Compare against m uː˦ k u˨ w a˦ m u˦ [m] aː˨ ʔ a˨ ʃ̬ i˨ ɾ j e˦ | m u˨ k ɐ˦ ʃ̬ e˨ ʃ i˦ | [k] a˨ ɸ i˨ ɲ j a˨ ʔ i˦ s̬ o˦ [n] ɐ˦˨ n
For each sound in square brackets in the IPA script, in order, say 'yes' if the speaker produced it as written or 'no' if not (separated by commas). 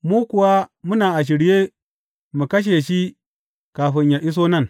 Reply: no, yes, yes